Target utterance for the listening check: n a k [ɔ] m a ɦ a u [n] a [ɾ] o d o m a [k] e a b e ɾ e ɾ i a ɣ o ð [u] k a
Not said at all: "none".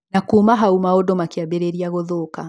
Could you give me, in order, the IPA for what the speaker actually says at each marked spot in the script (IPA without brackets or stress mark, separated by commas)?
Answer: u, m, none, k, o